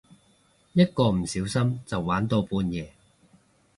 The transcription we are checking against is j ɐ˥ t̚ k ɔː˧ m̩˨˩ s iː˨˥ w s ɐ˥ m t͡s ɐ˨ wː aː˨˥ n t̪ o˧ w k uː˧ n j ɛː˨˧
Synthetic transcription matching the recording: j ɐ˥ t̚ k ɔː˧ m̩˨˩ s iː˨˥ w s ɐ˥ m t͡s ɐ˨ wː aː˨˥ n t̪ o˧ w p uː˧ n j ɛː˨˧